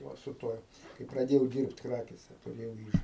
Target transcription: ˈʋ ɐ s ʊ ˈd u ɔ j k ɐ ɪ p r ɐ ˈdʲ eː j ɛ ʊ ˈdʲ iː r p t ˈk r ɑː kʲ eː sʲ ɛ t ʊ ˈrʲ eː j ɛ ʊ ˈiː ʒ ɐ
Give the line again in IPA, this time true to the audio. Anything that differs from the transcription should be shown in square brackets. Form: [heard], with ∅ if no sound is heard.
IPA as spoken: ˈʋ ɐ s ʊ [ˈt] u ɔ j k ɐ ɪ p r ɐ ˈdʲ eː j ɛ ʊ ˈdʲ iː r p t ˈk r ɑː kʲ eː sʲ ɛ t ʊ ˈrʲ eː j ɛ ʊ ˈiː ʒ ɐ